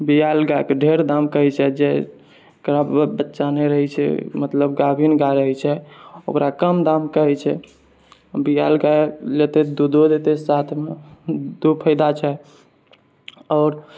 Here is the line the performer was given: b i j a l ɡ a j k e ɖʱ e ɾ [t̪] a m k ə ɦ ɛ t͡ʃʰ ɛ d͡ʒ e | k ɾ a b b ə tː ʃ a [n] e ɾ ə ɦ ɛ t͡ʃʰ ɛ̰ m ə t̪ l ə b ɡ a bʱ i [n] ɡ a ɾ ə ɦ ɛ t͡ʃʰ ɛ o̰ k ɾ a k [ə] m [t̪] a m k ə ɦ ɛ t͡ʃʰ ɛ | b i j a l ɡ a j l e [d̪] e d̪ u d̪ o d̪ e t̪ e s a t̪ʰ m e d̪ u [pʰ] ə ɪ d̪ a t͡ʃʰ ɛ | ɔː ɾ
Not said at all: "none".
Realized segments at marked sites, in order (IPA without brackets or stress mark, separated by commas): d̪, n, n, ə, d̪, t̪, pʰ